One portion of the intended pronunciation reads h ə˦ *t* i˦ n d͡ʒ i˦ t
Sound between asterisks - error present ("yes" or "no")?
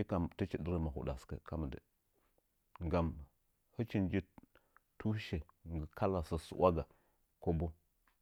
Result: yes